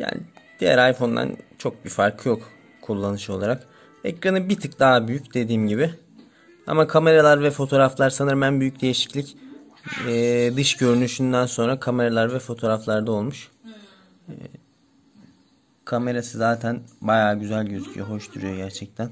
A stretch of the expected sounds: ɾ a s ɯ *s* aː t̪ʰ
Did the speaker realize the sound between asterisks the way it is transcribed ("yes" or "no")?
no